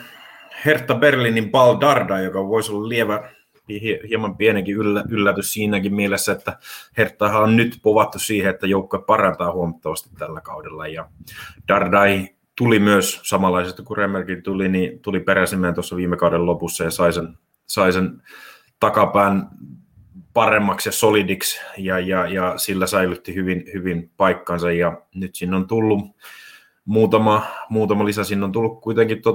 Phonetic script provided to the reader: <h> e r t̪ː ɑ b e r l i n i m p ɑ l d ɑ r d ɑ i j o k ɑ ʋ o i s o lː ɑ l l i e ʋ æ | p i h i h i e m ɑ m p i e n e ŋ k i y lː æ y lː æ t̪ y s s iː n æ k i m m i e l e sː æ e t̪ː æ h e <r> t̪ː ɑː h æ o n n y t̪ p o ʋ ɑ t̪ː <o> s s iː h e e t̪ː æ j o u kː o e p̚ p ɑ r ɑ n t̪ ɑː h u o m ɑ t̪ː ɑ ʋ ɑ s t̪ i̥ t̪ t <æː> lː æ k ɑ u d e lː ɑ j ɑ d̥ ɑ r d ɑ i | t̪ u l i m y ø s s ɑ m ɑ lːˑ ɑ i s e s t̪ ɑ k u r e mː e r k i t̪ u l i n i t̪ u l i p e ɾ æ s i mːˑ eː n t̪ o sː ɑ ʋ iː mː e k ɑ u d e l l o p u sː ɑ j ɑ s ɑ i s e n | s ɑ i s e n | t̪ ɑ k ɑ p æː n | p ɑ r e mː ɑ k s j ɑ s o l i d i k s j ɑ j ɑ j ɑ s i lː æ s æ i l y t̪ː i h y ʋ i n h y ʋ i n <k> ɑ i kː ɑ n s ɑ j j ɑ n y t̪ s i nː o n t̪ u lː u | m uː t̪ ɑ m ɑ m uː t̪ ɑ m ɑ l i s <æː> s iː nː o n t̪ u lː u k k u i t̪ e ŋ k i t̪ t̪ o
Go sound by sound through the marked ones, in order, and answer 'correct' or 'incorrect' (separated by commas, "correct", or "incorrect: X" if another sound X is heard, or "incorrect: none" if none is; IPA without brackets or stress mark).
correct, correct, incorrect: u, incorrect: æ, incorrect: p, incorrect: æ